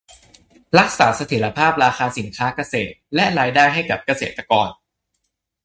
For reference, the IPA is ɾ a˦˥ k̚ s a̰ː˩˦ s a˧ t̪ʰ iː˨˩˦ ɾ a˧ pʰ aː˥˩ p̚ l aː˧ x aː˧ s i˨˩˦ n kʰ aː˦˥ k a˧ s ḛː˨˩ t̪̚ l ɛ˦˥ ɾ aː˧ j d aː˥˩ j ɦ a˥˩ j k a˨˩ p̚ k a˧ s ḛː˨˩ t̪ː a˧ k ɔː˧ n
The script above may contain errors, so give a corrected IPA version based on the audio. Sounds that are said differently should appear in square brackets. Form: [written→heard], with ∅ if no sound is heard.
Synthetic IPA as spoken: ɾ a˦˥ k̚ s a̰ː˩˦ s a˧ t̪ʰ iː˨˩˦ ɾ a˧ pʰ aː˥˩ p̚ [l→ɾ] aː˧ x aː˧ s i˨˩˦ n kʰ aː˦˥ k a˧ s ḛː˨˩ t̪̚ l ɛ˦˥ ɾ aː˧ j d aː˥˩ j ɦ a˥˩ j k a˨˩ p̚ k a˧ s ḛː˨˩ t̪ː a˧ k ɔː˧ n